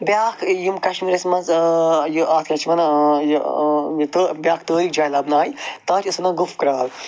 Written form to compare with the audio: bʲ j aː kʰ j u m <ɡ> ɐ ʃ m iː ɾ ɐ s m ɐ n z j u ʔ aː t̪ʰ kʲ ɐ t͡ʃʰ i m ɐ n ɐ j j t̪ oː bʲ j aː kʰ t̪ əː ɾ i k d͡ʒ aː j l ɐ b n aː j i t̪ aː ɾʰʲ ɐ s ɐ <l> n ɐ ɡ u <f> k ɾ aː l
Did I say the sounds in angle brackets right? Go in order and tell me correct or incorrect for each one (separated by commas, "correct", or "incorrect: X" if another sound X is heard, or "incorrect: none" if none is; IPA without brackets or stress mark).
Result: incorrect: k, incorrect: none, correct